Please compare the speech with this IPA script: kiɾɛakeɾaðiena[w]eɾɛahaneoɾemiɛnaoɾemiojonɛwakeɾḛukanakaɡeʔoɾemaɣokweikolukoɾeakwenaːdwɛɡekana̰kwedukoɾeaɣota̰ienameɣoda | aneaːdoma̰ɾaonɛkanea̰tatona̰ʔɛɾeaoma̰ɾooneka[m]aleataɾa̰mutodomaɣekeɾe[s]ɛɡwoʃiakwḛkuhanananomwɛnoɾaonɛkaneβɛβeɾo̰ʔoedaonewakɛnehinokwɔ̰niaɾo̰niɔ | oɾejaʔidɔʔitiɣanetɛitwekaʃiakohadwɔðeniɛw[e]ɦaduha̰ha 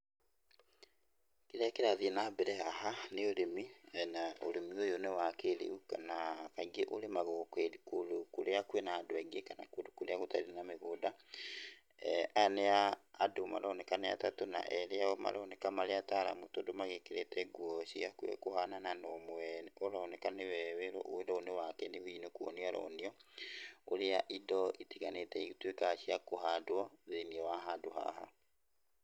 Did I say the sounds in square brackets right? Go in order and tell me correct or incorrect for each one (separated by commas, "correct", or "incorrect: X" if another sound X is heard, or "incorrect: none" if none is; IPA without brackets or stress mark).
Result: incorrect: b, correct, incorrect: t, incorrect: a